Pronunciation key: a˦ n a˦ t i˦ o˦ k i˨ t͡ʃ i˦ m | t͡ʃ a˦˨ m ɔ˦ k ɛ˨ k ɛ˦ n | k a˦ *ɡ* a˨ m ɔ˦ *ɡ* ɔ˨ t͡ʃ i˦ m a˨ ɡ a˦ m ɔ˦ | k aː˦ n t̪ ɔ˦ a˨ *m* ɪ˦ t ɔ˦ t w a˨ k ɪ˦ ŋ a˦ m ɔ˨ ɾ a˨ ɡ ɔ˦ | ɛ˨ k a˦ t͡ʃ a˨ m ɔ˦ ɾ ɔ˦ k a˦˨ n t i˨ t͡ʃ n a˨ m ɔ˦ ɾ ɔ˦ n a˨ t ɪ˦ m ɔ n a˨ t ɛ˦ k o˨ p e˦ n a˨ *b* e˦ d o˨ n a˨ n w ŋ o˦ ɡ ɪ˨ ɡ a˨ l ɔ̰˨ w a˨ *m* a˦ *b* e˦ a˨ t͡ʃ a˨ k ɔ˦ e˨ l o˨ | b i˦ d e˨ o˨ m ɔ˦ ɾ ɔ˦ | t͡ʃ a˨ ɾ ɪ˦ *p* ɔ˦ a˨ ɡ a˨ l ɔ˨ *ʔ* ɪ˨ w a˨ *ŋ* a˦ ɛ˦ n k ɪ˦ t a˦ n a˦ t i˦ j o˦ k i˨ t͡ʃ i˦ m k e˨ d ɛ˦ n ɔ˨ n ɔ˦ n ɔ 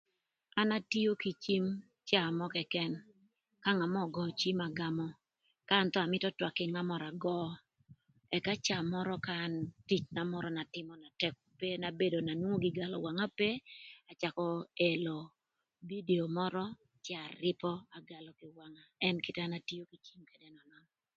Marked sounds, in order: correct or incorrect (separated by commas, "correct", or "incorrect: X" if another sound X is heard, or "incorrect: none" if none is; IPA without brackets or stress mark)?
incorrect: ŋ, correct, correct, correct, incorrect: ŋ, incorrect: p, correct, incorrect: k, correct